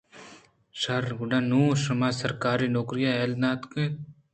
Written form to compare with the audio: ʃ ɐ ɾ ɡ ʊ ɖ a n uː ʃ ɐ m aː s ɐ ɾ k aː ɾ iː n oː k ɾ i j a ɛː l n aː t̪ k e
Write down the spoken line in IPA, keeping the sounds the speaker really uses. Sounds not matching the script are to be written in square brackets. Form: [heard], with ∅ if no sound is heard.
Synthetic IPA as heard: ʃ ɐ ɾ ɡ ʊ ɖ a n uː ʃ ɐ m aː s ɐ ɾ k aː ɾ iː n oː k ɾ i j a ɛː l n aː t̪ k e